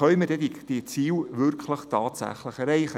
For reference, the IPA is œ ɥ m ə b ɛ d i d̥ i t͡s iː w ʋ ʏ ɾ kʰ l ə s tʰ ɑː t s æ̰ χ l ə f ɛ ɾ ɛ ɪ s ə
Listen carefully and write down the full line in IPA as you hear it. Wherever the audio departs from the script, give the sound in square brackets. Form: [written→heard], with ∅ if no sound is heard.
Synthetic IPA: œ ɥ m ə [b→d] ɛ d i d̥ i t͡s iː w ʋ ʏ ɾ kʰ l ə [s→χ] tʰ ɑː t s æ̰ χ l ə [f→χ] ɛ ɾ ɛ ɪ [s→χ] ə